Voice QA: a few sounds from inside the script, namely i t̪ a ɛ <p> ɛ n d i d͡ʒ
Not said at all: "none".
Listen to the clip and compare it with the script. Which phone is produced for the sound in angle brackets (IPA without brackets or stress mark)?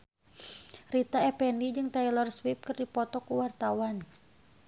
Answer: p